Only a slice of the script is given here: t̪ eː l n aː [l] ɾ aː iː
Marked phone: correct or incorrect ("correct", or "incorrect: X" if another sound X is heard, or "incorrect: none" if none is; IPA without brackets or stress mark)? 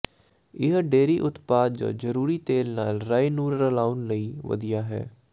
correct